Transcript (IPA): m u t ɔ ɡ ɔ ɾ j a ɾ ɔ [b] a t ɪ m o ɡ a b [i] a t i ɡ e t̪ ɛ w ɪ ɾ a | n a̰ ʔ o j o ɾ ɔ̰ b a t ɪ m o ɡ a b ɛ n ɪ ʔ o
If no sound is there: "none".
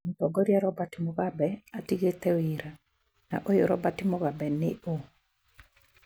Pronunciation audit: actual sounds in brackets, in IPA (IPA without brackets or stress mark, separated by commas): b, ɛ